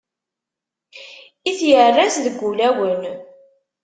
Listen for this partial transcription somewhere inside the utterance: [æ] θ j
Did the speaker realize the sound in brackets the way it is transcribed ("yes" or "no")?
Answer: no